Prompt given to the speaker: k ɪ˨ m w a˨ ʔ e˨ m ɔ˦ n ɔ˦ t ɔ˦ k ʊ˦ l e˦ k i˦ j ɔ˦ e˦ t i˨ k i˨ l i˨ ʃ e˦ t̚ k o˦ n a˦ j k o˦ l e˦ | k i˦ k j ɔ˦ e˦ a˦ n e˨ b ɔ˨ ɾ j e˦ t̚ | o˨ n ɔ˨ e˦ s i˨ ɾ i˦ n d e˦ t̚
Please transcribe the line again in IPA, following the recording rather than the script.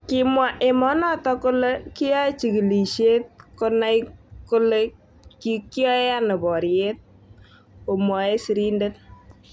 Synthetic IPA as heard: k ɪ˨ m w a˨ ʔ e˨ m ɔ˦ n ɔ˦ t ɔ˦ k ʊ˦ l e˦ k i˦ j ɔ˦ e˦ t͡ʃ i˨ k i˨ l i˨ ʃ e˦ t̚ k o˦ n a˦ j k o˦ l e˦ | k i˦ k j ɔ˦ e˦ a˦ n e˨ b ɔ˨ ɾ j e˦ t̚ | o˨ m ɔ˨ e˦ s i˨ ɾ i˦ n d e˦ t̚